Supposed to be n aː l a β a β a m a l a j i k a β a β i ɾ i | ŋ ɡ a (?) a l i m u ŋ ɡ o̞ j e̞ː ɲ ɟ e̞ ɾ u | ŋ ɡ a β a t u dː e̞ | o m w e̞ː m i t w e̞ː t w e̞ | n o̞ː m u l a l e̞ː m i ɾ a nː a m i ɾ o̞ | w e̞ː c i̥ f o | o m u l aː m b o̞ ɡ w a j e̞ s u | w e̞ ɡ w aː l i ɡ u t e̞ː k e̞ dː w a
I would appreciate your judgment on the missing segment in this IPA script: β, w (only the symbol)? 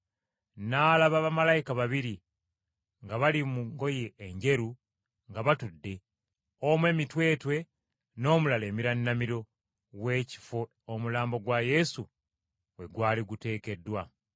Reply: β